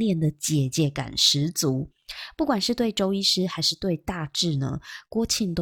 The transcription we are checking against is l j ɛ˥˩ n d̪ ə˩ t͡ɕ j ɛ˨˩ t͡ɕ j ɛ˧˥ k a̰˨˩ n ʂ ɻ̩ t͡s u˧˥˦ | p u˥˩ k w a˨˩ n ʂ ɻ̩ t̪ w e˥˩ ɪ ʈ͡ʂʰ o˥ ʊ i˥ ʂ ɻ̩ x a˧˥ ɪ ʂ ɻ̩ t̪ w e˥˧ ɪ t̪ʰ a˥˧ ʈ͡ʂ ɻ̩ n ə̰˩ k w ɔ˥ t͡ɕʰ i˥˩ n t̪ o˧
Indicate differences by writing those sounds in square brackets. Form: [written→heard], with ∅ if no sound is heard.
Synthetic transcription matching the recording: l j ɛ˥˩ n d̪ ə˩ t͡ɕ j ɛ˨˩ t͡ɕ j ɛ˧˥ k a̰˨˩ n ʂ ɻ̩ t͡s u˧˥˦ | p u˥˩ k w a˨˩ n ʂ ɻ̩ t̪ w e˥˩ ɪ [ʈ͡ʂʰ→ʈ͡ʂ] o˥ ʊ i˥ ʂ ɻ̩ x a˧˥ ɪ ʂ ɻ̩ t̪ w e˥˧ ɪ [t̪ʰ→t̪] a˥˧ ʈ͡ʂ ɻ̩ n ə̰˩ k w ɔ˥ t͡ɕʰ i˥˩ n t̪ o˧